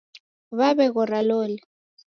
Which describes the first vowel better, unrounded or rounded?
unrounded